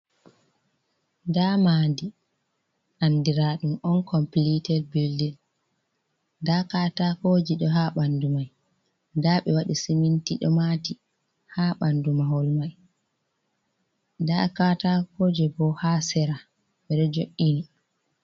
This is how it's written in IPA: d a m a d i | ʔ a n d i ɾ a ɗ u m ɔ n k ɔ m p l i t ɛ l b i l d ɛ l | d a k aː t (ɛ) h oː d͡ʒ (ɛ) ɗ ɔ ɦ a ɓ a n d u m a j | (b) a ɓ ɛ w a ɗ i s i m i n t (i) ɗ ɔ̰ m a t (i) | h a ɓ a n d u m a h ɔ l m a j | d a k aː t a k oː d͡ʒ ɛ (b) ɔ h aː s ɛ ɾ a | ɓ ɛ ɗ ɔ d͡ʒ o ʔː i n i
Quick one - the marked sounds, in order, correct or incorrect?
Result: incorrect, incorrect, incorrect, correct, correct, correct

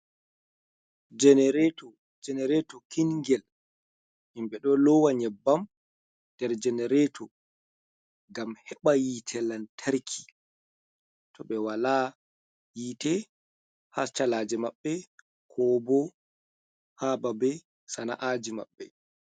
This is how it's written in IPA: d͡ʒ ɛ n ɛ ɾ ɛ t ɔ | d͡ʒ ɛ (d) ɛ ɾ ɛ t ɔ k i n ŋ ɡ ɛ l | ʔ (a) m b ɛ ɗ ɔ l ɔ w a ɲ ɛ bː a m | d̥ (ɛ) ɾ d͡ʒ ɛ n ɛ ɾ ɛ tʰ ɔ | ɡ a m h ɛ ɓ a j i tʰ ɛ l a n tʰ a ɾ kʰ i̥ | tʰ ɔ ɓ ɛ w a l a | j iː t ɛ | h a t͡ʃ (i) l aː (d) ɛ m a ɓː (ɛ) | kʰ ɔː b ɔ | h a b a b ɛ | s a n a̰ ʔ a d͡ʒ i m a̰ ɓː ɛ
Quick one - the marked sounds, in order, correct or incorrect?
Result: incorrect, incorrect, correct, incorrect, incorrect, correct

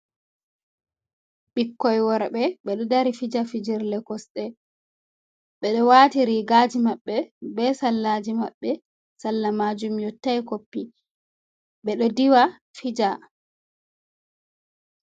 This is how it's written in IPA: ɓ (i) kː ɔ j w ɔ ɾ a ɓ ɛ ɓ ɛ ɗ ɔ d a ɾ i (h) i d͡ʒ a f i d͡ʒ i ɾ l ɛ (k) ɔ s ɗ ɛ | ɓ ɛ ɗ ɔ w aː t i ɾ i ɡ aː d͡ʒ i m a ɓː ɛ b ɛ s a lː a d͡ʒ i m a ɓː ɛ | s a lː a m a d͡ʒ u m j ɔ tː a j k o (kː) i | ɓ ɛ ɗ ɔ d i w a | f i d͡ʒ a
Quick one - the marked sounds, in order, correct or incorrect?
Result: correct, incorrect, correct, incorrect

